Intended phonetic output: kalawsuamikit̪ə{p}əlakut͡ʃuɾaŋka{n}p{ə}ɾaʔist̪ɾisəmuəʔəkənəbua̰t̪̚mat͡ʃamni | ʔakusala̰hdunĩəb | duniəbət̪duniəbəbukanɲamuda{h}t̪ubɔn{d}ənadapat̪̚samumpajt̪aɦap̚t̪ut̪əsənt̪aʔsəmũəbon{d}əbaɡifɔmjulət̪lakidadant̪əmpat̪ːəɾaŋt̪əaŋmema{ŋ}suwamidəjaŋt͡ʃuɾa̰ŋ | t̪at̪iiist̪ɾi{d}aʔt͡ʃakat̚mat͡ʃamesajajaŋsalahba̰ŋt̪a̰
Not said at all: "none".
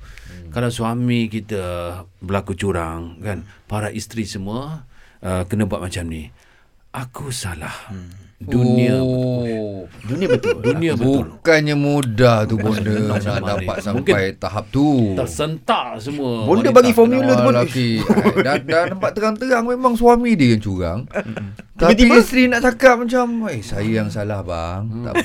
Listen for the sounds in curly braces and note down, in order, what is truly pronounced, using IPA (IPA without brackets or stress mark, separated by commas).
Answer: b, n, a, h, d, d, ŋ, n